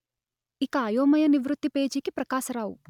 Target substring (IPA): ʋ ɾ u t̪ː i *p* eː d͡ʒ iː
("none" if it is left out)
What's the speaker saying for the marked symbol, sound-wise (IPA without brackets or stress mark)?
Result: p